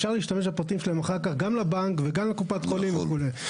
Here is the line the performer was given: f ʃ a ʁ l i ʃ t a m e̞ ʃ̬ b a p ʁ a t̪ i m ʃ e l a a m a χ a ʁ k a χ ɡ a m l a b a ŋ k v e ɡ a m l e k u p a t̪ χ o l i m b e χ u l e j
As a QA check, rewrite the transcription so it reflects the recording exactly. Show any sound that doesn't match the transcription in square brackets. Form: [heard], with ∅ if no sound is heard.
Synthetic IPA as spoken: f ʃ a ʁ l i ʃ t a m e̞ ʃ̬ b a p ʁ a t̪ i m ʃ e l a [e] m a χ a ʁ k a χ ɡ a m l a b a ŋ k v e ɡ a m l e k u p a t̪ χ o l i m [v] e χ u l e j